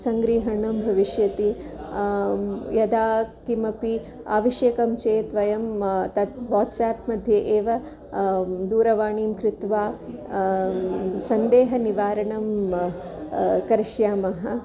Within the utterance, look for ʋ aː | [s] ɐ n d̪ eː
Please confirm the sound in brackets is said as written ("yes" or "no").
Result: yes